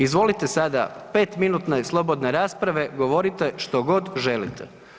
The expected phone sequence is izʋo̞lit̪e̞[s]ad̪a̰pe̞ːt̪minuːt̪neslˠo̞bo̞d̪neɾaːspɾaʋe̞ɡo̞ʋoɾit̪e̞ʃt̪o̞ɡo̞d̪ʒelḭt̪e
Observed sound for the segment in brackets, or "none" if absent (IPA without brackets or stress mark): s